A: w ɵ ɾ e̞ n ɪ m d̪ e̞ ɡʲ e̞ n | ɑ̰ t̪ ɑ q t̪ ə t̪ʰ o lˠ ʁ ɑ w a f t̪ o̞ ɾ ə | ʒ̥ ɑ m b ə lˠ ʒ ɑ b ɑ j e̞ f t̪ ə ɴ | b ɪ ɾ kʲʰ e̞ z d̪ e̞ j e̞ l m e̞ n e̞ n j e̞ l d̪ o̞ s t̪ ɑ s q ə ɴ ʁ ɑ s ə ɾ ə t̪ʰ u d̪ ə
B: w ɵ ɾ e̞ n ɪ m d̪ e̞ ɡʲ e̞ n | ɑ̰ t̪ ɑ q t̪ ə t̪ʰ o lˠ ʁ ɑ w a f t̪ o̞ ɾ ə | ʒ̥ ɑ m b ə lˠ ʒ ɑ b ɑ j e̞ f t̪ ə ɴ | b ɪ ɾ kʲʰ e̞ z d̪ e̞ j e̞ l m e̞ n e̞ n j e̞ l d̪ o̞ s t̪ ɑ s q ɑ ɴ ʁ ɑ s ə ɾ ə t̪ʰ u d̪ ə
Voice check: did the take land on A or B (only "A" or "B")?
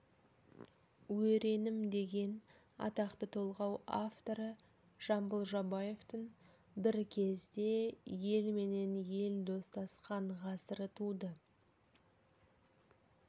B